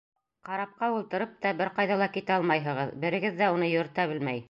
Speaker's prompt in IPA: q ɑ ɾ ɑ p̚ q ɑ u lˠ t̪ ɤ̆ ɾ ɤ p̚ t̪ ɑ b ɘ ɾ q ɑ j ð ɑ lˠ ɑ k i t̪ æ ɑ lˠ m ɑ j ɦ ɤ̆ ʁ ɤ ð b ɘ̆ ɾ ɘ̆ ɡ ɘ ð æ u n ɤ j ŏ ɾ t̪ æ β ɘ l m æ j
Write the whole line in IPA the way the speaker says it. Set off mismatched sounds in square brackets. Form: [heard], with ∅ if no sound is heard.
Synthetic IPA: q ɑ ɾ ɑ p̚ q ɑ u lˠ t̪ ɤ̆ ɾ ɤ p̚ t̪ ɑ b ɘ ɾ q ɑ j ð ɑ lˠ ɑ k i t̪ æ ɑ lˠ m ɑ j ɦ ɤ̆ ʁ ɤ ð b ɘ̆ ɾ ɘ̆ ɡ ɘ [ðː] æ u n ɤ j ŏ ɾ t̪ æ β ɘ l m æ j